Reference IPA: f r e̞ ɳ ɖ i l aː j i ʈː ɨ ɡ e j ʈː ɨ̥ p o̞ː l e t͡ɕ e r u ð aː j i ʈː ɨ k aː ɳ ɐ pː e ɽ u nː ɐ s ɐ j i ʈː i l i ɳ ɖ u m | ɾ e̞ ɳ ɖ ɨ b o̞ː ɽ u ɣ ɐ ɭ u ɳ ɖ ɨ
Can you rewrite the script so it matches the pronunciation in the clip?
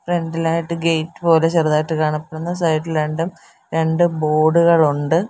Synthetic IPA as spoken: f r e̞ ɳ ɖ i l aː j i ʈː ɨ ɡ e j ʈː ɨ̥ p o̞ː l e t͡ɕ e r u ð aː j i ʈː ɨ k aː ɳ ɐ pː e ɽ u nː ɐ s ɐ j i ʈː i l e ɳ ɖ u m | ɾ e̞ ɳ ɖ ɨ b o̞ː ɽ u ɣ ɐ ɭ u ɳ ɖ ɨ